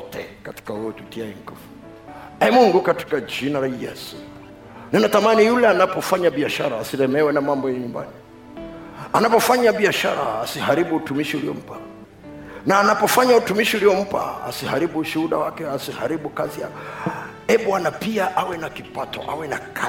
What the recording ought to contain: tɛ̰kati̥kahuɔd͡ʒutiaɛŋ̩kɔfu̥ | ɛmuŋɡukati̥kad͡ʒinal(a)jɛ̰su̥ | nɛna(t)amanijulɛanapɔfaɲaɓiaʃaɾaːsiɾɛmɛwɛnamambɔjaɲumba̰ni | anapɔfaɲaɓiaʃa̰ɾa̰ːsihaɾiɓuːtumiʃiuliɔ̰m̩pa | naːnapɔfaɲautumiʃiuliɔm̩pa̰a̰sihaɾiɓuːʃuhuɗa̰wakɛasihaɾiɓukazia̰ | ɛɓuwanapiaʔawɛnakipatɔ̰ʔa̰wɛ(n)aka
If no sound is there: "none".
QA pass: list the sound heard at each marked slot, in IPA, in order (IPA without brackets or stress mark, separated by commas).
a, t, n